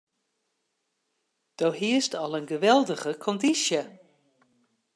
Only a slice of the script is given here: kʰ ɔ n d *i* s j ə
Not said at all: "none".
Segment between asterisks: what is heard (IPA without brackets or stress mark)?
i